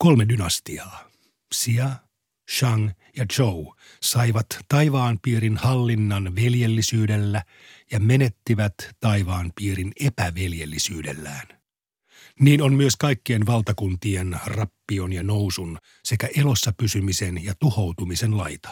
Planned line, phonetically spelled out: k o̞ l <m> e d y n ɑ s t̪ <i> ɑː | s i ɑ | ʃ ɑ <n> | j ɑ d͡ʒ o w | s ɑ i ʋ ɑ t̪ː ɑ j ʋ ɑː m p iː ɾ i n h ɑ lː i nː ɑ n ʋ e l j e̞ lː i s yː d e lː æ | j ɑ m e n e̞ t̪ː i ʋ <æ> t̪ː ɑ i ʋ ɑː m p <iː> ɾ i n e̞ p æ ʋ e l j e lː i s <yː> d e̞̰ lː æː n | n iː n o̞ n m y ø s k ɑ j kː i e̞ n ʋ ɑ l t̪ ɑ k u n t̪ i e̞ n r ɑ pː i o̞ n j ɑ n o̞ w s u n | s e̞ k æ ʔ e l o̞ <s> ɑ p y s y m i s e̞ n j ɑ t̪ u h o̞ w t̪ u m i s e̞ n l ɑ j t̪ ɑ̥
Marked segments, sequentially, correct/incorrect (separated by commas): correct, correct, incorrect, correct, correct, correct, incorrect